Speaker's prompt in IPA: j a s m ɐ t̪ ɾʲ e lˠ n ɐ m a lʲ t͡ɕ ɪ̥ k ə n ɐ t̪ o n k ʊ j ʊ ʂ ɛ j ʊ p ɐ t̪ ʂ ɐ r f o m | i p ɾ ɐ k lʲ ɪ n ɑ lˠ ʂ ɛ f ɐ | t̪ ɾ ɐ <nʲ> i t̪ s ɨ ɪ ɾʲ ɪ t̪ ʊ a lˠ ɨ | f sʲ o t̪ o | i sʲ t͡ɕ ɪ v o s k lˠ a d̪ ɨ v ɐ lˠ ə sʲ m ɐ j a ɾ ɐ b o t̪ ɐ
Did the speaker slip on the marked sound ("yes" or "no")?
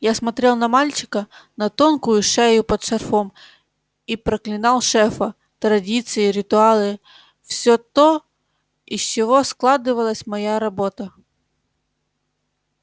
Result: yes